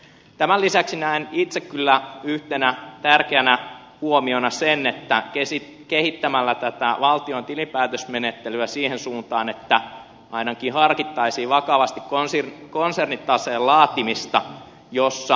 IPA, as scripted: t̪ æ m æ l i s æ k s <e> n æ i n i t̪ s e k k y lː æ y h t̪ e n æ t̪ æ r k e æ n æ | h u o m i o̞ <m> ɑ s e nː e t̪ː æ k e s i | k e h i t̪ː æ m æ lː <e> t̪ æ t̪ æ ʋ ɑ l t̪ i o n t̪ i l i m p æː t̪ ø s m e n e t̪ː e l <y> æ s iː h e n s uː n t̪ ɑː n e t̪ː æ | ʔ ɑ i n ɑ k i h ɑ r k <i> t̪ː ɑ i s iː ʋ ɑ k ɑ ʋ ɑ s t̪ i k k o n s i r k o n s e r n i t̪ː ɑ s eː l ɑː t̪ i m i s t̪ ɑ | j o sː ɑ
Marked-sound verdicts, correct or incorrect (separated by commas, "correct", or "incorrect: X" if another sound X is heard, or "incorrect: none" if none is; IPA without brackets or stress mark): incorrect: i, incorrect: n, incorrect: æ, correct, correct